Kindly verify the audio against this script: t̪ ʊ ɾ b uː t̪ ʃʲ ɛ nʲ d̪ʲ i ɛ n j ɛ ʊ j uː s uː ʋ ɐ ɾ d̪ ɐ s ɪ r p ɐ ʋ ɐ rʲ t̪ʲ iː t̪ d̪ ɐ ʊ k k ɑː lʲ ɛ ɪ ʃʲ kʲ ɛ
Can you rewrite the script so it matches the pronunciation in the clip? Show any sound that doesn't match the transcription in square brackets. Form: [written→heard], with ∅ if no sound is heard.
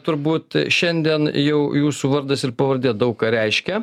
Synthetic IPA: t̪ ʊ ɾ b uː t̪ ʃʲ ɛ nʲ d̪ʲ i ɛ n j ɛ ʊ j uː s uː ʋ ɐ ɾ d̪ ɐ s ɪ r p ɐ ʋ ɐ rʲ [t̪ʲ→d̪ʲ] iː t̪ d̪ ɐ ʊ k k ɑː [lʲ→ɾʲ] ɛ ɪ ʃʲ kʲ ɛ